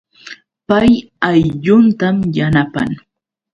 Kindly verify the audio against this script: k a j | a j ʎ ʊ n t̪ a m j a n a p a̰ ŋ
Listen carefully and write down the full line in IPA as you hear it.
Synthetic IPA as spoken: p a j | a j ʎ ʊ n t̪ a m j a n a p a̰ ŋ